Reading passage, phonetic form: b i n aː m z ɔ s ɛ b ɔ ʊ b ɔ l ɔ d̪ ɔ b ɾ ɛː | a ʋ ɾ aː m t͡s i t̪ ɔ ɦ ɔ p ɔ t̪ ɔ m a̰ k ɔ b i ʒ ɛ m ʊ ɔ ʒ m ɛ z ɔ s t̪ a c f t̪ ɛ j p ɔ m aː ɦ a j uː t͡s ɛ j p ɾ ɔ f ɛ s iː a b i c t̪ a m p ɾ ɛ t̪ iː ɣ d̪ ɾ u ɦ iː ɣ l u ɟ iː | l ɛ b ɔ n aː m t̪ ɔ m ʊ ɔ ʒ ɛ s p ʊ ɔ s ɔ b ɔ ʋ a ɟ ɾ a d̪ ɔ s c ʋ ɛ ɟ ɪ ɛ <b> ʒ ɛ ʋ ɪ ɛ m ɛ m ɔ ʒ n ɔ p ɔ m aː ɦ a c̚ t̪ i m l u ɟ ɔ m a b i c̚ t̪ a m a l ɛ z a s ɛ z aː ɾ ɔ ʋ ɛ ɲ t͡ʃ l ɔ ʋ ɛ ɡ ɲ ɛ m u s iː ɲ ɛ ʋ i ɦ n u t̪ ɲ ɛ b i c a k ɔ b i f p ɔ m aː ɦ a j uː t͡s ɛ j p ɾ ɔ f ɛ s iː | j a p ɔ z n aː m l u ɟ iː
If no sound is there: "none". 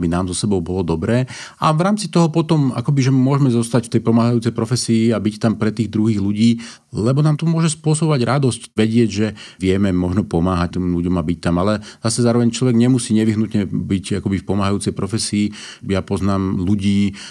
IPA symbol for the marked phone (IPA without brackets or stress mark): ɟ